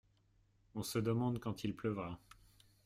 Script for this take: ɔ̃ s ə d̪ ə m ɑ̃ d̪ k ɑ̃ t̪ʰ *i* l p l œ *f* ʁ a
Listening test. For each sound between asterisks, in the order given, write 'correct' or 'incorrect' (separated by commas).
correct, incorrect